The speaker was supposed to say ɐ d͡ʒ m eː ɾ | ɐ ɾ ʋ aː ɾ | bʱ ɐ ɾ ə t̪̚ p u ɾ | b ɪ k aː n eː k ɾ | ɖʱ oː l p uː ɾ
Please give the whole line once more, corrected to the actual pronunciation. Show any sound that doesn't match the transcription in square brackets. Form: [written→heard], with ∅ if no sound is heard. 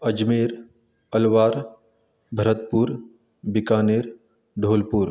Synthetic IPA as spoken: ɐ d͡ʒ m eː ɾ | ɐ [ɾ→l] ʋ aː ɾ | bʱ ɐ ɾ ə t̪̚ p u ɾ | b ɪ k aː n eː [k→∅] ɾ | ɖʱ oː l p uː ɾ